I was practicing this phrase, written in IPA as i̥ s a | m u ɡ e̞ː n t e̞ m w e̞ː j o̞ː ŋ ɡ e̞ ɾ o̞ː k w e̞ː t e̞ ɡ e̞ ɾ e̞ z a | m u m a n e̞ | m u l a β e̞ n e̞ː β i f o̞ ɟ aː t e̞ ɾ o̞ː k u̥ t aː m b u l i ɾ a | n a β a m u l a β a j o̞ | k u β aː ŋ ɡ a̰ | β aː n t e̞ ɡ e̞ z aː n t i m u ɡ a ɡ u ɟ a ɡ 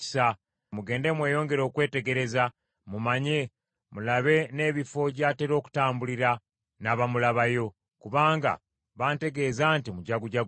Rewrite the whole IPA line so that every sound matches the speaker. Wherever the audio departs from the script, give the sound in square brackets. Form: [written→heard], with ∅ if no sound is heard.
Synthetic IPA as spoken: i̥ s a | m u ɡ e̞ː n [t→d] e̞ m w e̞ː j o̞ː ŋ ɡ e̞ ɾ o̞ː k w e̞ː t e̞ ɡ e̞ ɾ e̞ z a | m u m a [n→ɲ] e̞ | m u l a β e̞ n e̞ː β i f o̞ ɟ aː t e̞ ɾ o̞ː k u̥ t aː m b u l i ɾ a | n a β a m u l a β a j o̞ | k u β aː ŋ ɡ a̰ | β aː n t e̞ ɡ e̞ z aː n t i m u [ɡ→ɟ] a ɡ u ɟ a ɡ